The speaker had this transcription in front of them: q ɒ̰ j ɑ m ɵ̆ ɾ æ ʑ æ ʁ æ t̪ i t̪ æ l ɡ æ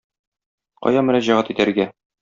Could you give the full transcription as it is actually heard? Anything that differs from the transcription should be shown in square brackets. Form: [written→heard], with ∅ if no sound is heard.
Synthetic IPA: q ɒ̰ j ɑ m ɵ̆ ɾ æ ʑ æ ʁ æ t̪ i t̪ æ [l→ɾ] ɡ æ